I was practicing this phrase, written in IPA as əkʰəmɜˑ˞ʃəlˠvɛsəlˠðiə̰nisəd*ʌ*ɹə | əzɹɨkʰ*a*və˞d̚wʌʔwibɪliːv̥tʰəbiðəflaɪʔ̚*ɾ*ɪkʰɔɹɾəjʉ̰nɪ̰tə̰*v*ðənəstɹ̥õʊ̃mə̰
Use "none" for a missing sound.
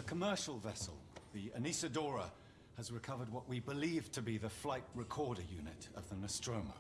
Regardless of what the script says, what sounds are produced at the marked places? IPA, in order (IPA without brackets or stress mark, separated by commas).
ɔ, ʌ, ɹ, v